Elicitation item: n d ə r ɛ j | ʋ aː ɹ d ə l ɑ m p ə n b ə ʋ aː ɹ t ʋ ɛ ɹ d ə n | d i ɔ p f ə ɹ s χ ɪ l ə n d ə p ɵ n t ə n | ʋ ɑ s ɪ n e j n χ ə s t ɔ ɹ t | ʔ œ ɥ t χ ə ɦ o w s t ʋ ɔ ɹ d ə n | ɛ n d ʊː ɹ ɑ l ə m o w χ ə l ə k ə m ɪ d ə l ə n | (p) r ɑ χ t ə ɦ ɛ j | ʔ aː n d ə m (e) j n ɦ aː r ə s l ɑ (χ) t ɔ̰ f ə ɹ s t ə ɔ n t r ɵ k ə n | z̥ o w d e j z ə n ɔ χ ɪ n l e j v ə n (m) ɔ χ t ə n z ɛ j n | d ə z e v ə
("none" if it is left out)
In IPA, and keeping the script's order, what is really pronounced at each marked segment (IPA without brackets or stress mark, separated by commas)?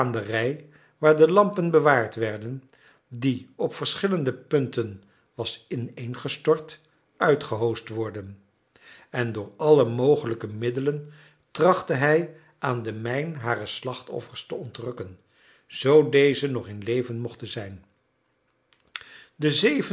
t, ɛ, χ, m